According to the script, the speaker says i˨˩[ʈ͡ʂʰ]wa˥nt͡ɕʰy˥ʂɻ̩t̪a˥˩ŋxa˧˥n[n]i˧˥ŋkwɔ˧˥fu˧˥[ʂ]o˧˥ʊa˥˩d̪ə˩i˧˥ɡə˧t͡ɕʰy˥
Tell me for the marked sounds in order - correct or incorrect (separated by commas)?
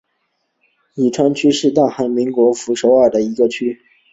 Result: correct, incorrect, correct